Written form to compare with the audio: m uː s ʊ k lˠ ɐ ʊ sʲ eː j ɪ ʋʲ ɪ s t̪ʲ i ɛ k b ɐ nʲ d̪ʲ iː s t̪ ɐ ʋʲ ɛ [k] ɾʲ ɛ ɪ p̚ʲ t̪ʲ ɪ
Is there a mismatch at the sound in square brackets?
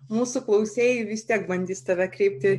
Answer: no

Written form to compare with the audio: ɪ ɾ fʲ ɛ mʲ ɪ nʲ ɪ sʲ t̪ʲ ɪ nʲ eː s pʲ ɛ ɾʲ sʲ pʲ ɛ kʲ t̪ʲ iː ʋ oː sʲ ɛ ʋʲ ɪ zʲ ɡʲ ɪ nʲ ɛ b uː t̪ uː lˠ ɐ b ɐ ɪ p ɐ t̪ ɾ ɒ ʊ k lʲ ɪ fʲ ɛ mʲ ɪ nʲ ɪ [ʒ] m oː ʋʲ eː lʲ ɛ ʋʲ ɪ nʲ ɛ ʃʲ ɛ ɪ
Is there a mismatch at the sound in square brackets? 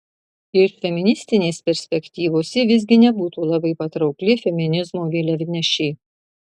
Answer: yes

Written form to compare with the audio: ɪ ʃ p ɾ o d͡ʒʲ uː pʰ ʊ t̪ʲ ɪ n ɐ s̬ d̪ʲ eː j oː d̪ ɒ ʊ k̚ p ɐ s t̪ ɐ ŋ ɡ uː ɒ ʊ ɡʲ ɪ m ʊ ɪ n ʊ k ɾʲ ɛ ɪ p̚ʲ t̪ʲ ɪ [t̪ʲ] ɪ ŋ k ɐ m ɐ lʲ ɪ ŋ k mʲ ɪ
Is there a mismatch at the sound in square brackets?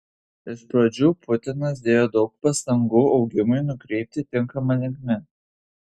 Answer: no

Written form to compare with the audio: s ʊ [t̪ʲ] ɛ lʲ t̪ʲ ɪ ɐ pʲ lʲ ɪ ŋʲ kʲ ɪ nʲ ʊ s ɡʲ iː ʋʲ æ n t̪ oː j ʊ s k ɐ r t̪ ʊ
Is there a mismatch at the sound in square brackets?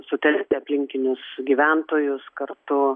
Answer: no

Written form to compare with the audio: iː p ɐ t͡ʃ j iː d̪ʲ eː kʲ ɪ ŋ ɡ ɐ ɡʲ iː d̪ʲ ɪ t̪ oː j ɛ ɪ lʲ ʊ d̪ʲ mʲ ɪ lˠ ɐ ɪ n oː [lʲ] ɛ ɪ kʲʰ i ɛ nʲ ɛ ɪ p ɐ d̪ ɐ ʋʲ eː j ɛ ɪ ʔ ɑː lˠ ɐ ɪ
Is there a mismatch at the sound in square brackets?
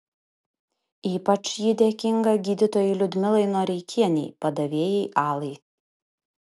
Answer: yes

